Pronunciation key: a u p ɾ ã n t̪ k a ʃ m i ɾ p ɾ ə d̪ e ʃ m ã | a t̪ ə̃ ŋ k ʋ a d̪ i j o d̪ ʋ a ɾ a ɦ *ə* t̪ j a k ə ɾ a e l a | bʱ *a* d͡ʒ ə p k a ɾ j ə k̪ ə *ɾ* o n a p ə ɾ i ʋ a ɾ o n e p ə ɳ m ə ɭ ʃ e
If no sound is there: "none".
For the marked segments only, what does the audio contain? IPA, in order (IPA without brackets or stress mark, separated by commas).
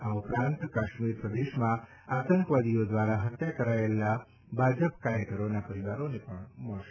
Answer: ə, a, ɾ